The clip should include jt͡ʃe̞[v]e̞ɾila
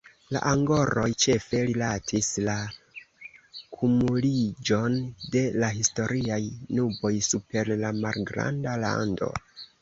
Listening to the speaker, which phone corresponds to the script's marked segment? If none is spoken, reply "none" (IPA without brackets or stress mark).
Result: f